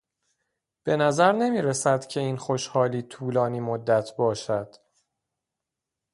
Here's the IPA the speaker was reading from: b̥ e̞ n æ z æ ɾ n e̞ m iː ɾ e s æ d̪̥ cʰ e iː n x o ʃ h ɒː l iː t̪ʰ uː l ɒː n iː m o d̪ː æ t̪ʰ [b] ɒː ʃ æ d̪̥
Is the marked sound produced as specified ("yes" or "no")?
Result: yes